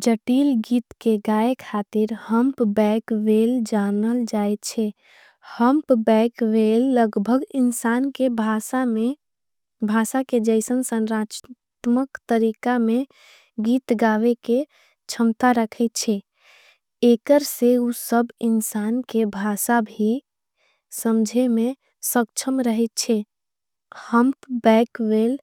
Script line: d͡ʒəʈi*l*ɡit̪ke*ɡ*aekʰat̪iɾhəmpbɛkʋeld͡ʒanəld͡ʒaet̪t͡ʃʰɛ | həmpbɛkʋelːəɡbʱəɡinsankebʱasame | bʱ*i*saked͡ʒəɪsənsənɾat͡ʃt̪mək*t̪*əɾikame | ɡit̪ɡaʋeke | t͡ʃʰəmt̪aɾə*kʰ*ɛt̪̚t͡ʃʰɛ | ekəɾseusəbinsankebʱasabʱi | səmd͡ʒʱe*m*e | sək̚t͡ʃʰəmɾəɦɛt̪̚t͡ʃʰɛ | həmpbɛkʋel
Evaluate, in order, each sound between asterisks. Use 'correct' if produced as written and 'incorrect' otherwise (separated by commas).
correct, correct, incorrect, correct, correct, correct